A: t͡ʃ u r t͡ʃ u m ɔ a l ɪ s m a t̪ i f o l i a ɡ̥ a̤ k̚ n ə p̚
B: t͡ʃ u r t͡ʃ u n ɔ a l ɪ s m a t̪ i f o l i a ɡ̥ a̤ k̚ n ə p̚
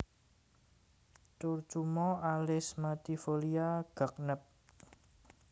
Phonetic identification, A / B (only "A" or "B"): A